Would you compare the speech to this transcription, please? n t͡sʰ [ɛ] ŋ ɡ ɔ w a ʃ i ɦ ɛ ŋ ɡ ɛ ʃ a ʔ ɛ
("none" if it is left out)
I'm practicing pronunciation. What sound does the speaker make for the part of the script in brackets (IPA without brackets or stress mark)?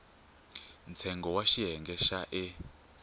ɛ